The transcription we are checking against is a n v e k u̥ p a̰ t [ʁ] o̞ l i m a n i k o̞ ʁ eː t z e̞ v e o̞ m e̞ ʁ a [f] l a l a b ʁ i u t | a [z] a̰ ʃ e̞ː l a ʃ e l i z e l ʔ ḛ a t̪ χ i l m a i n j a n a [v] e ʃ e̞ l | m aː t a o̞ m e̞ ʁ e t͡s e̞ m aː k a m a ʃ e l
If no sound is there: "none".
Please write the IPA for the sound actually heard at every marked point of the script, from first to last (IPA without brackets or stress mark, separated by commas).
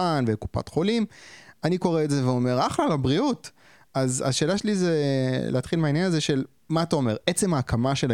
χ, χ, z, z